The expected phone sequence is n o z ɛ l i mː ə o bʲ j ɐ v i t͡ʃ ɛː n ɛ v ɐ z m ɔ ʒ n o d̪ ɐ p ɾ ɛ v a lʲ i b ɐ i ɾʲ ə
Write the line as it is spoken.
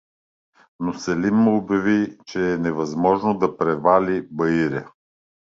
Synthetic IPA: n o s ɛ l i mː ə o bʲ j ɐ v i t͡ʃ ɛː n ɛ v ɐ z m ɔ ʒ n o d̪ ɐ p ɾ ɛ v a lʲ i b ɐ i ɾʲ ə